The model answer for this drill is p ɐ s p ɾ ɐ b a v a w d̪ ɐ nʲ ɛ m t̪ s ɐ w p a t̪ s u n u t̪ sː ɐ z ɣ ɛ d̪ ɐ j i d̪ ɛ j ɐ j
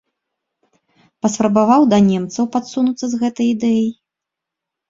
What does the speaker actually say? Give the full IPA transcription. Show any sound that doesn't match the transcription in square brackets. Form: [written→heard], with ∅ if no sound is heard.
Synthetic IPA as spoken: p ɐ s p ɾ ɐ b a v a w d̪ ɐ nʲ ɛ m t̪ s ɐ w p a t̪ s u n u t̪ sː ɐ z ɣ ɛ [d̪→t̪] ɐ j i d̪ ɛ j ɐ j